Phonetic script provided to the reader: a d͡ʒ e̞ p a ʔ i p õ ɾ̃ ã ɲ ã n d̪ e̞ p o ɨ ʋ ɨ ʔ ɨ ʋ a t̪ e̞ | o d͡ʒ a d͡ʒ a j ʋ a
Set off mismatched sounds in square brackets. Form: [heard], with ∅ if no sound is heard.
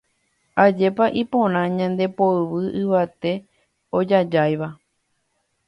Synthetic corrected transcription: a d͡ʒ e̞ p a ʔ i p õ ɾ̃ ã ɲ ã n d̪ e̞ p o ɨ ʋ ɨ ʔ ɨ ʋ a t̪ e̞ | o d͡ʒ a d͡ʒ a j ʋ a